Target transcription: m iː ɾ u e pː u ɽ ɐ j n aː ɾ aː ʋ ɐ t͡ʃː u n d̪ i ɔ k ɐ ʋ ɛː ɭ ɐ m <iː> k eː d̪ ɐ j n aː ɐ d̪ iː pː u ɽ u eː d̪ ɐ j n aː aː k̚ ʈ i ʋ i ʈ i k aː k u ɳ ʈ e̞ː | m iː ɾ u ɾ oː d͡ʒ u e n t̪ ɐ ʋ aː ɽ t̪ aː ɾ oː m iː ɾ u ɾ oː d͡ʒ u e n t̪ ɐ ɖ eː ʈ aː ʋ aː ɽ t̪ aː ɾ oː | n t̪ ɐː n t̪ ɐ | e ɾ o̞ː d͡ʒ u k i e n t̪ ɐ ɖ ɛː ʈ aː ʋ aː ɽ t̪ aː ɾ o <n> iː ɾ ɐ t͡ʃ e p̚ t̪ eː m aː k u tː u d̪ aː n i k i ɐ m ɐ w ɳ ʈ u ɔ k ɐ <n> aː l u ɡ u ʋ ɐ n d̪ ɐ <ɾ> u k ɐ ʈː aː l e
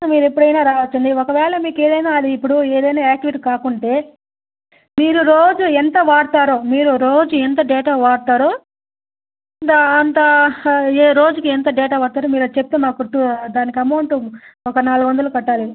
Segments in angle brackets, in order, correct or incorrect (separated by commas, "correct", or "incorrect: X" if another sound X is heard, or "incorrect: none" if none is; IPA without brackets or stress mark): correct, incorrect: m, correct, incorrect: l